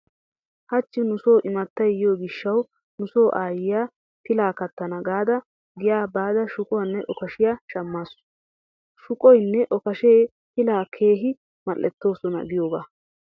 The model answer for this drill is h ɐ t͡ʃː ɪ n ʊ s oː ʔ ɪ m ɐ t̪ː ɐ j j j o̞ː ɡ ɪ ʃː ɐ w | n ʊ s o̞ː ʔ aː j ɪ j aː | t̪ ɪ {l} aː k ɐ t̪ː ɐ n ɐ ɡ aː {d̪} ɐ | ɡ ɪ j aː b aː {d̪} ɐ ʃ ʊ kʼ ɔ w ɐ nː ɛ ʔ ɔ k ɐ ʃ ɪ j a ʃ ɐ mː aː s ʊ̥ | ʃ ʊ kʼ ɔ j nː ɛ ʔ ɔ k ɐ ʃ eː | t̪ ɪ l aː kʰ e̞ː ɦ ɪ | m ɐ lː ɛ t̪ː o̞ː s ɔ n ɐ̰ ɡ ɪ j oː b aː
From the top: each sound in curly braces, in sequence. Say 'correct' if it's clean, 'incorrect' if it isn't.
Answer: correct, correct, correct

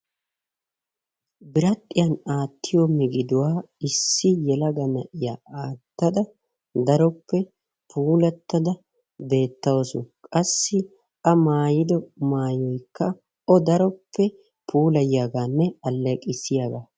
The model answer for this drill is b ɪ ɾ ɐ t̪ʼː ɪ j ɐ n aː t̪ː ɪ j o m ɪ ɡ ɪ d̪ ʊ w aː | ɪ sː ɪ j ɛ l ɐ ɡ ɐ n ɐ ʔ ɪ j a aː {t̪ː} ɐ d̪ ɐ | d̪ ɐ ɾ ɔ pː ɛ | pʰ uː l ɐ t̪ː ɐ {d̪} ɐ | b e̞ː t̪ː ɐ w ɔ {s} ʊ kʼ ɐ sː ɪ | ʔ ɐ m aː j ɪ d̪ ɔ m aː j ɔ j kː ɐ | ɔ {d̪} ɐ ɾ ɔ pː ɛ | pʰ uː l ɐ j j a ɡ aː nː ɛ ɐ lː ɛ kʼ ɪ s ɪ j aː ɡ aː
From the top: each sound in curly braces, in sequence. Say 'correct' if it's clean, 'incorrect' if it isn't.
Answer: correct, correct, correct, correct

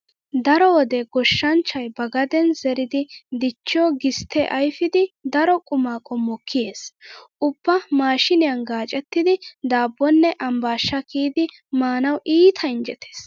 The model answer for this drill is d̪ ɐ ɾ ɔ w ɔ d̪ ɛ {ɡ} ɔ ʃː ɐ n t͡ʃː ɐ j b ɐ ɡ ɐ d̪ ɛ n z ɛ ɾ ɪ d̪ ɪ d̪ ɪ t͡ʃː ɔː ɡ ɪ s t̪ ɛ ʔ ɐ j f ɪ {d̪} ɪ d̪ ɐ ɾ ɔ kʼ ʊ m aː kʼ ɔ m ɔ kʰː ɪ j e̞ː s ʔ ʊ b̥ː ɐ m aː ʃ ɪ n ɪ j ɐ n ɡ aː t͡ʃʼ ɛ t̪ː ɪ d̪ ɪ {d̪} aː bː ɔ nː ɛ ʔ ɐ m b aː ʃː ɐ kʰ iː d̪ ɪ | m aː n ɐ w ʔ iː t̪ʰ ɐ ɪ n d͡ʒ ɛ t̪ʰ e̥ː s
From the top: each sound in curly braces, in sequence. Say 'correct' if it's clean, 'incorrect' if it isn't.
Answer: correct, correct, correct

